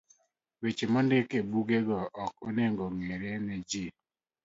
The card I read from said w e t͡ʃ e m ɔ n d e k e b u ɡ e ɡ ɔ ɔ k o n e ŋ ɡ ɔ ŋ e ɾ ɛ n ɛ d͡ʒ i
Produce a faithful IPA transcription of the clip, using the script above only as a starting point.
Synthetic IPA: w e t͡ʃ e m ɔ n d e k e b u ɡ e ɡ ɔ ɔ k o n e ŋ ɡ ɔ ŋ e ɾ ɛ n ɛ d͡ʒ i